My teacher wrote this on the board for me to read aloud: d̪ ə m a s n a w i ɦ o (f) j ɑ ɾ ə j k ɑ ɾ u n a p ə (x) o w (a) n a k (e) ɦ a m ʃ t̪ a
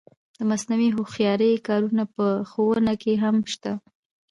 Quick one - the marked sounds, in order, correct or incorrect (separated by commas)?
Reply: incorrect, correct, incorrect, correct